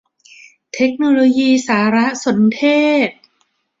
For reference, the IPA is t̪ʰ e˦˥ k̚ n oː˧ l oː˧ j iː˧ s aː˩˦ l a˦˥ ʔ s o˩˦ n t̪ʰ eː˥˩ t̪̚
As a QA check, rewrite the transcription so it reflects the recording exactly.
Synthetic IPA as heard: t̪ʰ e˦˥ k̚ n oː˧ l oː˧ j iː˧ s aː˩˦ ɾ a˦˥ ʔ s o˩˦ n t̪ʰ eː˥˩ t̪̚